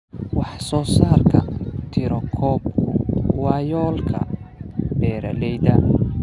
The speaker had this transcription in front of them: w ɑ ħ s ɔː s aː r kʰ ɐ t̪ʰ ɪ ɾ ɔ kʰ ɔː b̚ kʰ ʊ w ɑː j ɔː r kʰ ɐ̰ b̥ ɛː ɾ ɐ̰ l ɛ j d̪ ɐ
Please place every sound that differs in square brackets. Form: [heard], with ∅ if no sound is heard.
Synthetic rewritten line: w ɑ ħ s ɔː s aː r kʰ ɐ t̪ʰ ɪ ɾ ɔ kʰ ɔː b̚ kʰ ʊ w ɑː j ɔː [l] kʰ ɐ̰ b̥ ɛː ɾ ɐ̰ l ɛ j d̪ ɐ